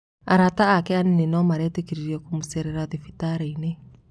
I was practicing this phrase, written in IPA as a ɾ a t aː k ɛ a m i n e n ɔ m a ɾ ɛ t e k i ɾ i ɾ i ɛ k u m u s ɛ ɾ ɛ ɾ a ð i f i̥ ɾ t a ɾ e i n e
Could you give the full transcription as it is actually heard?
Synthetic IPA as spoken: a ɾ a t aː k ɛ a n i n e n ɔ m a ɾ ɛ t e k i ɾ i ɾ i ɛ k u m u s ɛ ɾ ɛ ɾ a ð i f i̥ t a ɾ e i n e